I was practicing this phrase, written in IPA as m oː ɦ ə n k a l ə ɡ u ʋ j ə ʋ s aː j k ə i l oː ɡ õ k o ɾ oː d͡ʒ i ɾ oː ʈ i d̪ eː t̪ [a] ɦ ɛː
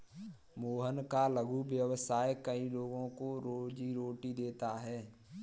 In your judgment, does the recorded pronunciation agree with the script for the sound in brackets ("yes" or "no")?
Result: yes